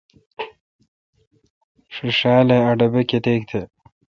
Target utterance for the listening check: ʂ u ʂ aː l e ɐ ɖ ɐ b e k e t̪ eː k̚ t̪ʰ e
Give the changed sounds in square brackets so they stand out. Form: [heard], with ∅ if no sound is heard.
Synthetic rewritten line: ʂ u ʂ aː l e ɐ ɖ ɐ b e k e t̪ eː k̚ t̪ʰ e